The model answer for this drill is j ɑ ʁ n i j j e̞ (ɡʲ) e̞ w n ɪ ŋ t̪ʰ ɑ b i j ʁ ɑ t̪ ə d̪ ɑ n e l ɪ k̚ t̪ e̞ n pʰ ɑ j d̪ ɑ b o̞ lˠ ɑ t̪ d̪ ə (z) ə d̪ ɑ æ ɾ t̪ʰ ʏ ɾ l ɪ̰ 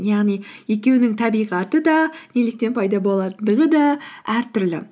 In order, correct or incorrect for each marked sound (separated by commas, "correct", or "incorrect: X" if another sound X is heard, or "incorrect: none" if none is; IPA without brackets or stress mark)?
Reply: incorrect: kʲ, incorrect: ʁ